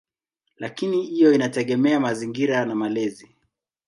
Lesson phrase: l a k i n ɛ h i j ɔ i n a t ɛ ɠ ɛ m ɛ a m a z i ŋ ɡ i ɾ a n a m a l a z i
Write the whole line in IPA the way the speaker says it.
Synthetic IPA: l a k i n i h i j ɔ i n a t ɛ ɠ ɛ m ɛ a m a z i ŋ ɡ i ɾ a n a m a l ɛ z i